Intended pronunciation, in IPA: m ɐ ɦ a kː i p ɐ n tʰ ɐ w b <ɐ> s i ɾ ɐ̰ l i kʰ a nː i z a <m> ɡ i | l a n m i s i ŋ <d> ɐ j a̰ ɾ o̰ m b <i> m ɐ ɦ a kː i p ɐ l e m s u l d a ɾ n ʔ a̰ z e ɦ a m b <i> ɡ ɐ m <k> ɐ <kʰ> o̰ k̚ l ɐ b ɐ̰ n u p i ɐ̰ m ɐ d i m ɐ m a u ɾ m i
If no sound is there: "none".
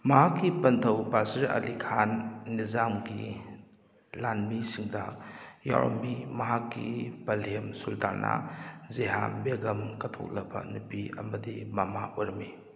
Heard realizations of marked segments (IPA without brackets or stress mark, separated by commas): a, m, d, i, e, k, tʰ